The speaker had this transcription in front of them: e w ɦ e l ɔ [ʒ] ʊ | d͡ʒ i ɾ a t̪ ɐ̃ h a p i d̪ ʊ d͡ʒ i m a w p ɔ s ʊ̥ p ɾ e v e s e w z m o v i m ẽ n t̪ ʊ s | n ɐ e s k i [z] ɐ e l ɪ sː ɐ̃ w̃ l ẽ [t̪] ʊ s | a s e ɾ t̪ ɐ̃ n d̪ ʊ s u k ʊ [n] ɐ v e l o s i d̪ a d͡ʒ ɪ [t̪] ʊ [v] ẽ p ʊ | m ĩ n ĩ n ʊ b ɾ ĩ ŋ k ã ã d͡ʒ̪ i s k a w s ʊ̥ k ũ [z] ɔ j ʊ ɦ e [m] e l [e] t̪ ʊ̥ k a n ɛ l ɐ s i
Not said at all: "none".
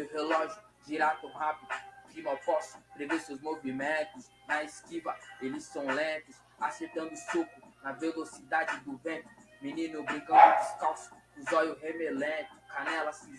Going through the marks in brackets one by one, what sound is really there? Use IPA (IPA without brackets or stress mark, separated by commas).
ʒ, v, t̪, n, d̪, v, z, m, ẽ